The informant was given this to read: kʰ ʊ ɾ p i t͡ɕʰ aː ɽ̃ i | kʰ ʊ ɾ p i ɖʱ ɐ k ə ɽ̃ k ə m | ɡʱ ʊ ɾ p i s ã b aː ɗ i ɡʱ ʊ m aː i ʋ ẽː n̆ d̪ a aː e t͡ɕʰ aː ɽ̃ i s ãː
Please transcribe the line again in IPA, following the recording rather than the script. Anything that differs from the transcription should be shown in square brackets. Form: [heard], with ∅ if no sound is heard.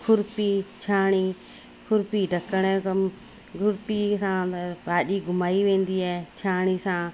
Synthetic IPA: kʰ ʊ ɾ p i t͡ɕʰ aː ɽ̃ i | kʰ ʊ ɾ p i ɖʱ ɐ k ə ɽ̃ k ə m | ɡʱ ʊ ɾ p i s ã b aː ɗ i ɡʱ ʊ m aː i ʋ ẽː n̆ d̪ [i] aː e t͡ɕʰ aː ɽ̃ i s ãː